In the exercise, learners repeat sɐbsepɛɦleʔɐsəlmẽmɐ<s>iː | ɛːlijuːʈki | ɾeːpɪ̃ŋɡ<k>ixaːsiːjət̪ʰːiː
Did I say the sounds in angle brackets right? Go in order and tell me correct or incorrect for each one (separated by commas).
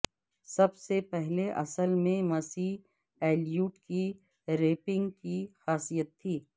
correct, correct